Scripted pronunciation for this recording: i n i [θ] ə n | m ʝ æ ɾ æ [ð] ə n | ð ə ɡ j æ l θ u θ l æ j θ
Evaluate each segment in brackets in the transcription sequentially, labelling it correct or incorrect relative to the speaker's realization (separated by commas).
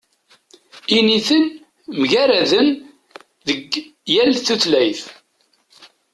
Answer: correct, correct